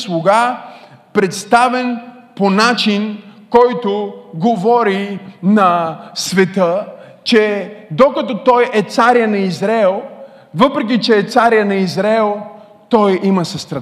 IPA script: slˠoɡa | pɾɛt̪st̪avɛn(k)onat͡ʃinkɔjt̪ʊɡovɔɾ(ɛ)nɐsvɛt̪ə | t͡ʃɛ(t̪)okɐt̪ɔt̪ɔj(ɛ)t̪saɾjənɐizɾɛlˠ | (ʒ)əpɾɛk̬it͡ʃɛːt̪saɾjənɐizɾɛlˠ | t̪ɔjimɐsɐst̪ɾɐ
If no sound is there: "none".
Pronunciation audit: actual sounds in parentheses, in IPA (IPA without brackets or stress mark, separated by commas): p, i, d̪, ɛ, v